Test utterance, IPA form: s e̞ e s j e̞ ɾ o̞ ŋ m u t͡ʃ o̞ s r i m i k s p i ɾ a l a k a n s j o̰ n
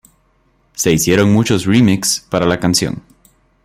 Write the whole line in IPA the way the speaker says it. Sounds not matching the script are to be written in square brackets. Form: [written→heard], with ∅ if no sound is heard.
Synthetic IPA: s e̞ [e→i] s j e̞ ɾ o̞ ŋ m u t͡ʃ o̞ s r i m i k s p [i→a] ɾ a l a k a n s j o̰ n